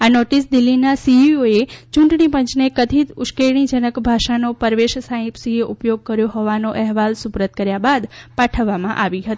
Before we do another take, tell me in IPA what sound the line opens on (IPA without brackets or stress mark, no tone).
a